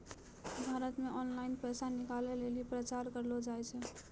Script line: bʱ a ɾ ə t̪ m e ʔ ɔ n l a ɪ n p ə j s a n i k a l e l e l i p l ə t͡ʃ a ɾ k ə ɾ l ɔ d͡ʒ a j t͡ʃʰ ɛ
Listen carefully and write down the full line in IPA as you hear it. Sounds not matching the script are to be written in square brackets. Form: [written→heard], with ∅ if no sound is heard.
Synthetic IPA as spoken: bʱ a ɾ ə t̪ m e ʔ ɔ n l a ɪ n p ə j s a n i k a l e l e l i p [l→ɾ] ə t͡ʃ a ɾ k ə ɾ l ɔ d͡ʒ a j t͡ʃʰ ɛ